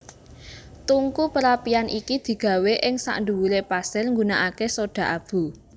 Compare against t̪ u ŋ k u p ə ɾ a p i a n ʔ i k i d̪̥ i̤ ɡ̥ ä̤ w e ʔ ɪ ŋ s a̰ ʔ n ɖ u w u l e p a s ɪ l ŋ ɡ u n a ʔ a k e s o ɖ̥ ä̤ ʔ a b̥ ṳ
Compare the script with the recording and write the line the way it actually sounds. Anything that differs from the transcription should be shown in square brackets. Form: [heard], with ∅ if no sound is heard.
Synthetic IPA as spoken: t̪ u ŋ k u p ə ɾ a p i a n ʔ i k i d̪̥ i̤ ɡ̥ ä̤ w e ʔ ɪ ŋ s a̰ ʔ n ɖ u w u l e p a s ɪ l ŋ ɡ u n a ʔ a k e s o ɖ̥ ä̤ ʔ a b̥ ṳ